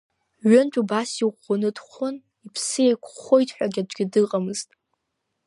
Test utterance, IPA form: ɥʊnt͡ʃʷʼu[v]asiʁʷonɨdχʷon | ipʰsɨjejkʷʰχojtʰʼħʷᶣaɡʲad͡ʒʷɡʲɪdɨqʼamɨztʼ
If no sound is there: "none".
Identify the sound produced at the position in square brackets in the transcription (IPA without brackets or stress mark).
b